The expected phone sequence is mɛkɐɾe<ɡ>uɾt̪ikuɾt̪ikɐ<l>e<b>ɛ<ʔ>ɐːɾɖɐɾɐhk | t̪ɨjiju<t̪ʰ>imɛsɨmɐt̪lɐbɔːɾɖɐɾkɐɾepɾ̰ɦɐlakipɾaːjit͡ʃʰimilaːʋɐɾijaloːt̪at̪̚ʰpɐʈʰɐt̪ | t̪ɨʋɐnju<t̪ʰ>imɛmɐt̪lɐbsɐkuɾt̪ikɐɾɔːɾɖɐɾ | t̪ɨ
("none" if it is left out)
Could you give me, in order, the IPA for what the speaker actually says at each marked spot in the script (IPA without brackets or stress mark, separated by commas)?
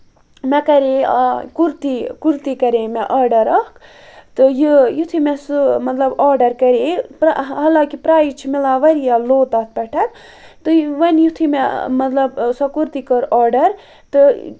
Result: k, ɾ, m, ʔ, t̪ʰ, t̪ʰ